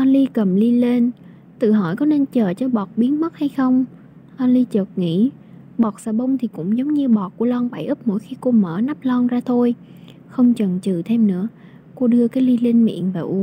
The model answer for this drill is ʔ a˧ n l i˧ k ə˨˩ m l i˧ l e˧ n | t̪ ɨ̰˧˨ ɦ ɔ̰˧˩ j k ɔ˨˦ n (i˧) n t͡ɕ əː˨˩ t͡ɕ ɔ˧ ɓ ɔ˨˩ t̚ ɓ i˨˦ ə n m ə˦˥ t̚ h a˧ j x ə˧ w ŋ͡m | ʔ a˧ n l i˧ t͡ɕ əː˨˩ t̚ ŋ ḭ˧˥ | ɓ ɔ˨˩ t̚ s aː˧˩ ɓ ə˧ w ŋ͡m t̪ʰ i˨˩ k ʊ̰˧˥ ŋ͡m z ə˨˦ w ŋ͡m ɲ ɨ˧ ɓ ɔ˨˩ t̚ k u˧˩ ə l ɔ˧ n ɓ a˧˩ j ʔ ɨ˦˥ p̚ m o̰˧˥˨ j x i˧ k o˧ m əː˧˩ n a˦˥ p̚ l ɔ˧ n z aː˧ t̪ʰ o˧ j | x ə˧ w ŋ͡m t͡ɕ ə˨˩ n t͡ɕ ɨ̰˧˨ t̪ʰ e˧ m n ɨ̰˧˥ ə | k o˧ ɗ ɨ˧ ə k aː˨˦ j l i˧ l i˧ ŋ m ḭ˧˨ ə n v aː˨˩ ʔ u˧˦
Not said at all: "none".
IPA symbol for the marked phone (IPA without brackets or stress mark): e˧